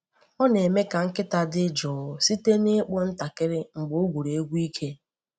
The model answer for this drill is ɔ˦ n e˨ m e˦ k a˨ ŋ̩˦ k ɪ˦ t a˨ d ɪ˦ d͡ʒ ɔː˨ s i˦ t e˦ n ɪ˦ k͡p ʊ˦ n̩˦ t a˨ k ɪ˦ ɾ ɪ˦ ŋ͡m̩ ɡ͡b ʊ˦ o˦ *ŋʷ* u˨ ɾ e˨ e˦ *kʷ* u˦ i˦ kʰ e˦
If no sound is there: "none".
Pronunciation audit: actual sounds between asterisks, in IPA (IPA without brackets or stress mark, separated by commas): ɡʷ, ɡʷ